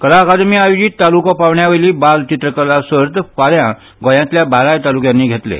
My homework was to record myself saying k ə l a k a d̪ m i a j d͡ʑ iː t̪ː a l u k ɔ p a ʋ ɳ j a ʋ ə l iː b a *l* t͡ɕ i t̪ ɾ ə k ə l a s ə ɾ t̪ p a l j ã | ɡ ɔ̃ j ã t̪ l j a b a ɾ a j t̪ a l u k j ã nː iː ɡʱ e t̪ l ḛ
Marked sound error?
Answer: no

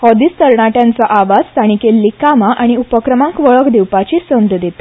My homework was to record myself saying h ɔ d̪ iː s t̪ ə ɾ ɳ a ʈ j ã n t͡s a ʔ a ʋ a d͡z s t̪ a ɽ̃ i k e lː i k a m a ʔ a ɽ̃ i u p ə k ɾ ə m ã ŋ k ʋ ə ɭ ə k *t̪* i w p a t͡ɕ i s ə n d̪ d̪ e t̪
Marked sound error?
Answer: yes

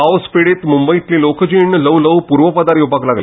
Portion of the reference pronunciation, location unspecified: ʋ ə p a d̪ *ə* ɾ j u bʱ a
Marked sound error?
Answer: yes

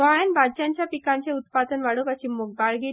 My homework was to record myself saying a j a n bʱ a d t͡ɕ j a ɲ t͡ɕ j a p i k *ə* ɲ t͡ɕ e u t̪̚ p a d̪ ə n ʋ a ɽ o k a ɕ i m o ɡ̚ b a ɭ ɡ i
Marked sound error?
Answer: yes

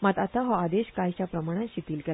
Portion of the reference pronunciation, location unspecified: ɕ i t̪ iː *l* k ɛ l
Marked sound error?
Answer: no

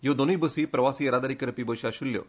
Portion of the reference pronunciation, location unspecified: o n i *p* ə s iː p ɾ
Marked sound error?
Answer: yes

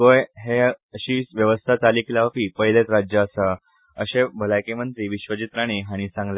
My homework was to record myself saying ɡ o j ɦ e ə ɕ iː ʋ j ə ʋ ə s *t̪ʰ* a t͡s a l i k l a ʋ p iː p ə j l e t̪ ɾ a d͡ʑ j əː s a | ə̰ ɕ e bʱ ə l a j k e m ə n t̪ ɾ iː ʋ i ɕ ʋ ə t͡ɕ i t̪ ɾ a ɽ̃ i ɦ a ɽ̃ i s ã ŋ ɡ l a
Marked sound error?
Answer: no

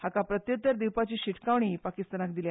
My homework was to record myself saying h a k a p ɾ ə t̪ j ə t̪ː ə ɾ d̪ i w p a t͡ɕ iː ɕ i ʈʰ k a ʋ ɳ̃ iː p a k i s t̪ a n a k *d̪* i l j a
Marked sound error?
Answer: no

